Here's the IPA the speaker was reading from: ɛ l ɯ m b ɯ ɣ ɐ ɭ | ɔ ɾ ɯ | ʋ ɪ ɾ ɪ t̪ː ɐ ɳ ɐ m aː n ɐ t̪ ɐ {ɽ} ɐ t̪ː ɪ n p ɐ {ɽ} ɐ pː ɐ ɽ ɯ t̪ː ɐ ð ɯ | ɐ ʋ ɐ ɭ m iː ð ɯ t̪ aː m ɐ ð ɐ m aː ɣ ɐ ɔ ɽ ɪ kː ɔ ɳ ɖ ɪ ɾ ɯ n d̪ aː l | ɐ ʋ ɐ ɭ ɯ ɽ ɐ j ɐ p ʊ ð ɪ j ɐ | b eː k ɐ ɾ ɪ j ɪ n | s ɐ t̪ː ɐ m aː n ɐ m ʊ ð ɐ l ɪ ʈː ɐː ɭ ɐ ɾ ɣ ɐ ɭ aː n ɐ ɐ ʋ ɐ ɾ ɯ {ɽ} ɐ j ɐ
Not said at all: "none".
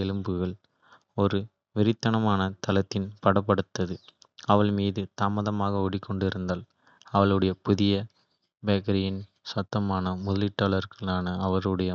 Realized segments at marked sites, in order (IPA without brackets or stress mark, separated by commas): l, ɽ, ɽ